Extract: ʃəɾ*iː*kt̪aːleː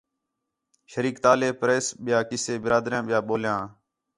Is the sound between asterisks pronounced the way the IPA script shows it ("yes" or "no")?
yes